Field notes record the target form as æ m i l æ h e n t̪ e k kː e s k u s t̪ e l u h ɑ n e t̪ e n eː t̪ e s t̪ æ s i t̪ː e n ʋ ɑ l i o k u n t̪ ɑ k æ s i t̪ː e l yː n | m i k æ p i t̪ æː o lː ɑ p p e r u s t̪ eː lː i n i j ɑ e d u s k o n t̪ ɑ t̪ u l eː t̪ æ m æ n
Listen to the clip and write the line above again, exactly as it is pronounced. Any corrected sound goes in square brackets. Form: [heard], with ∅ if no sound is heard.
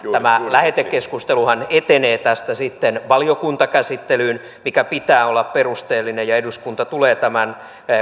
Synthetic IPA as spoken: æ m [æ] l æ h e [∅] t̪ e k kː e s k u s t̪ e l u h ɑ n e t̪ e n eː t̪ [æ] s t̪ æ s i t̪ː e n ʋ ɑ l i o k u n t̪ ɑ k æ s i t̪ː e l yː n | m i k æ p i t̪ æː o lː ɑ p p e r u s t̪ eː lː i n [e] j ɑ e d u s k [u] n t̪ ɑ t̪ u l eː t̪ æ m æ n